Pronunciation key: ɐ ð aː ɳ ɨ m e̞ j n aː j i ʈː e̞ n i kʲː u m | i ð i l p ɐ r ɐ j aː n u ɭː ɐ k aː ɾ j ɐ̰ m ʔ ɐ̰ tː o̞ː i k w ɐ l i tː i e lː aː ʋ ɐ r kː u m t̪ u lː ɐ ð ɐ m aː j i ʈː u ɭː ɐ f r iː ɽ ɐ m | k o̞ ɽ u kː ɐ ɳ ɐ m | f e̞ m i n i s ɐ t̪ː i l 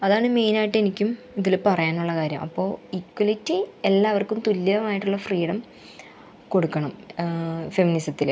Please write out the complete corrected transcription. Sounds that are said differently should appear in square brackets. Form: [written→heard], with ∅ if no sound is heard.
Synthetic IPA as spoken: ɐ ð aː ɳ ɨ m e̞ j n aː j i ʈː e̞ n i kʲː u m | i ð i l p ɐ r ɐ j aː n u ɭː ɐ k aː ɾ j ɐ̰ m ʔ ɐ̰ [tː→pː] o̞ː i k w ɐ l i tː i e lː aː ʋ ɐ r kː u m t̪ u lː ɐ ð ɐ m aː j i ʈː u ɭː ɐ f r iː ɽ ɐ m | k o̞ ɽ u kː ɐ ɳ ɐ m | f e̞ m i n i s ɐ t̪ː i l